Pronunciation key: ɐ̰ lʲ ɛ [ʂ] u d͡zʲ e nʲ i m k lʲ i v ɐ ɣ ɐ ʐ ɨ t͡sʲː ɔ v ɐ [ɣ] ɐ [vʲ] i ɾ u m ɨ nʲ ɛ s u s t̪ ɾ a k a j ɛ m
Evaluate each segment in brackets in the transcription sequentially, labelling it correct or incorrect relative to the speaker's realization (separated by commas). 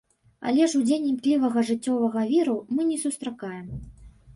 correct, correct, correct